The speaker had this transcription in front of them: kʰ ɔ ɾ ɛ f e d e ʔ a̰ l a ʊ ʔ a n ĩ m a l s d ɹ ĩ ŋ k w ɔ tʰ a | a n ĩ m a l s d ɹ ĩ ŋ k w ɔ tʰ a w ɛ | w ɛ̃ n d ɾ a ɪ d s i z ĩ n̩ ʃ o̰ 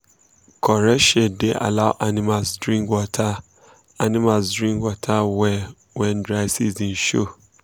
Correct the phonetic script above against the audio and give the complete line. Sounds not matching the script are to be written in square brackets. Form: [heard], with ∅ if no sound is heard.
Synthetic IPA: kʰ ɔ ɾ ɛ [ʃ] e d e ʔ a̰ l a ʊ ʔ a n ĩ m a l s d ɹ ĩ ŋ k w ɔ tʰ a | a n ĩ m a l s d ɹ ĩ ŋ k w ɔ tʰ a w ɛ | w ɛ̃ n d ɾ a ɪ [∅] s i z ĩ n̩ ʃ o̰